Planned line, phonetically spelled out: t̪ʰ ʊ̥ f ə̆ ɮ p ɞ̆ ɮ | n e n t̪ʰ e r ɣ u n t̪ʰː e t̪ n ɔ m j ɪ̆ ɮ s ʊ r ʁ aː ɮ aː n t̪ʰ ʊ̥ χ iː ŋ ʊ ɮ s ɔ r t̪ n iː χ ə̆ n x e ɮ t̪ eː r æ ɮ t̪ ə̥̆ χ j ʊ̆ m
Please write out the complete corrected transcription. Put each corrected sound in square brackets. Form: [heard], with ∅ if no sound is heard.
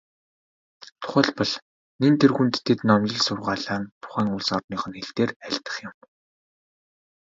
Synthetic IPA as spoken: t̪ʰ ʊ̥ [χ] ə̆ ɮ p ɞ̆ ɮ | n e n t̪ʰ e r ɣ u n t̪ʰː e t̪ n ɔ m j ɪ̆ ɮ s ʊ r ʁ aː ɮ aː n t̪ʰ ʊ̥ χ [æː] ŋ ʊ ɮ s ɔ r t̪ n iː χ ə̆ n x e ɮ t̪ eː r æ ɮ t̪ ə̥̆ χ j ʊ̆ m